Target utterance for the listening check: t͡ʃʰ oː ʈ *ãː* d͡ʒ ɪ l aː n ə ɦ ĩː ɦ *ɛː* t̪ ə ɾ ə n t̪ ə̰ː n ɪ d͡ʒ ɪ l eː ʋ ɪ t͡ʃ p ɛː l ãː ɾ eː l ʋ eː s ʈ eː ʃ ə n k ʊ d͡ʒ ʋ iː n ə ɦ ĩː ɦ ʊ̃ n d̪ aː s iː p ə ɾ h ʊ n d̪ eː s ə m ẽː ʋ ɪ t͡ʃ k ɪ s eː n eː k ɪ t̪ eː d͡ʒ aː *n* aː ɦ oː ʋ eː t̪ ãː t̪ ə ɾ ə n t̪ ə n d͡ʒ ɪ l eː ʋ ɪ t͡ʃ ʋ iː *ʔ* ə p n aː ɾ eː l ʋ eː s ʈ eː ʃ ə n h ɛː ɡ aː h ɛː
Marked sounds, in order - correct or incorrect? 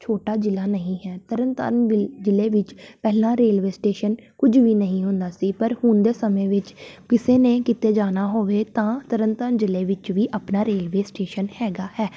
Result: incorrect: aː, correct, correct, correct

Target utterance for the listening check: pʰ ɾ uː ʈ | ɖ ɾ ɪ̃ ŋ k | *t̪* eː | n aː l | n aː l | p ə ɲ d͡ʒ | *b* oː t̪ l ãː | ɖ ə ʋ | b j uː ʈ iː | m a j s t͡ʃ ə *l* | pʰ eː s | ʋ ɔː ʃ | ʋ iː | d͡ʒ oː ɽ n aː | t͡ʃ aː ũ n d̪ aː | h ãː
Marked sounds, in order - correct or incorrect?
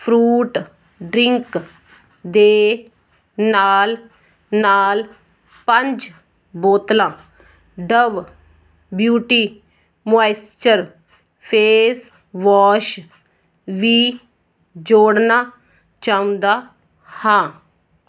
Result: incorrect: d̪, correct, incorrect: ɾ

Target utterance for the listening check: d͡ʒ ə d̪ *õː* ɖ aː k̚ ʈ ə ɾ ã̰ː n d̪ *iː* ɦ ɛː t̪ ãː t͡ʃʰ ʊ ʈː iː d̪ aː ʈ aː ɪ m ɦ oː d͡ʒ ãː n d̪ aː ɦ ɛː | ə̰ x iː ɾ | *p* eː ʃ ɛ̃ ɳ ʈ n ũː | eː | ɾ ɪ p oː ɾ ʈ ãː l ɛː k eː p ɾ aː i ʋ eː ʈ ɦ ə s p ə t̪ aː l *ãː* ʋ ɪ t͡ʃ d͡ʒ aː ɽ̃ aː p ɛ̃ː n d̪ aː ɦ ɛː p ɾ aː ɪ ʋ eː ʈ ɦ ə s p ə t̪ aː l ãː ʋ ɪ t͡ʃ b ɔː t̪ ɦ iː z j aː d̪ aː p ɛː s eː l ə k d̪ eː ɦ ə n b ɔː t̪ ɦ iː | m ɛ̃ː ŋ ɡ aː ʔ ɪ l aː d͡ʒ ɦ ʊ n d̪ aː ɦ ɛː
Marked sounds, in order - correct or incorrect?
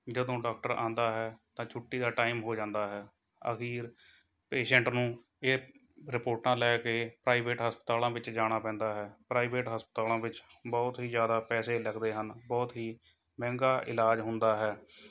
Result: correct, incorrect: aː, correct, correct

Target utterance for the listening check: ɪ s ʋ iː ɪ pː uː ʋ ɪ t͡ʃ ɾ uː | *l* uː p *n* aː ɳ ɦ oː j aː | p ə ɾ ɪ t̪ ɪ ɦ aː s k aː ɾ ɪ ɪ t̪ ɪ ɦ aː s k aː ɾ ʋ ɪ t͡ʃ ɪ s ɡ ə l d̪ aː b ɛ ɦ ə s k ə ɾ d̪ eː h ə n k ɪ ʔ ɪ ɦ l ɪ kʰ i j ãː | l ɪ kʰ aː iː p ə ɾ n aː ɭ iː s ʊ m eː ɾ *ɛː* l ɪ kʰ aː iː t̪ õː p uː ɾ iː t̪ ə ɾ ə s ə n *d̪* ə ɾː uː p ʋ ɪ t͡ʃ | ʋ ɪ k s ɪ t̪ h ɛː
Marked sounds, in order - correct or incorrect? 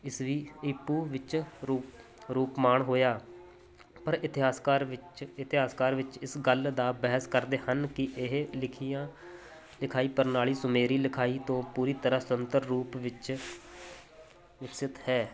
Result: incorrect: ɾ, incorrect: m, incorrect: iː, incorrect: t̪

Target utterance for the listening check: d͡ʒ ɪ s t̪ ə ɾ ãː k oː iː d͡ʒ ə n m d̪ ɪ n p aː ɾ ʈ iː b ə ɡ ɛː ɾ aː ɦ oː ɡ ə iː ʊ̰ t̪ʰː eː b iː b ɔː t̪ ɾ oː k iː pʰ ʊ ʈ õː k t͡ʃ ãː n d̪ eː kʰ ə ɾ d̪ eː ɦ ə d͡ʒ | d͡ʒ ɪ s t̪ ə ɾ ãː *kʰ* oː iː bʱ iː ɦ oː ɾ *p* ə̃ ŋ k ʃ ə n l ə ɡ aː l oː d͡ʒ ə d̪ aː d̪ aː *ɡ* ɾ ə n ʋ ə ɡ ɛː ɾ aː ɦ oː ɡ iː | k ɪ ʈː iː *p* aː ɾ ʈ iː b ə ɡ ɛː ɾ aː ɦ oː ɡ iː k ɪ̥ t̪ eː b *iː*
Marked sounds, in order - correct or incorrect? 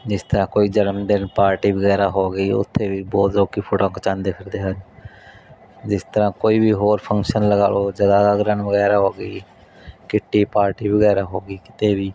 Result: incorrect: k, incorrect: pʰ, correct, correct, correct

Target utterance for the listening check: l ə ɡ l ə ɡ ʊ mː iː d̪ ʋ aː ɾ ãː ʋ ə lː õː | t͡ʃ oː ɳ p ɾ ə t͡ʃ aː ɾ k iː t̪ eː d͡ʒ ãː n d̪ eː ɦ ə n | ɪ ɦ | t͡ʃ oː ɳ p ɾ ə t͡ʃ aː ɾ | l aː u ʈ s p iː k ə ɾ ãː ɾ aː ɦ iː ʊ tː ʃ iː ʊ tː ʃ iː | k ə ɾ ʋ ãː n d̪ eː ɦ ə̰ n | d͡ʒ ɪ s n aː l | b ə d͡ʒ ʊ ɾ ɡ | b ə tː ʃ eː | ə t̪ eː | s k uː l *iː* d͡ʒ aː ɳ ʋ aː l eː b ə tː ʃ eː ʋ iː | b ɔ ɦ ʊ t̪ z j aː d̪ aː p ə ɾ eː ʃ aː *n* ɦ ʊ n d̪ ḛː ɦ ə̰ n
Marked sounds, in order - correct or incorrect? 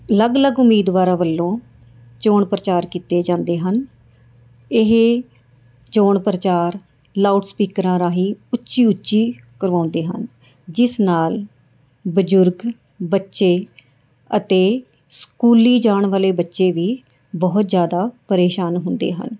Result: correct, correct

